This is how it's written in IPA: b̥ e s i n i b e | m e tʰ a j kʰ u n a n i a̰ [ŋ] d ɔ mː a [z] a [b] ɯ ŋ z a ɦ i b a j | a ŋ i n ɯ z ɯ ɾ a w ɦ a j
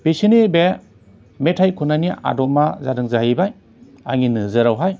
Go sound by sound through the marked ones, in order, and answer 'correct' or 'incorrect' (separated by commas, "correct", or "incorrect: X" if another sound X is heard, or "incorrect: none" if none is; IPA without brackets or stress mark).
incorrect: none, correct, incorrect: d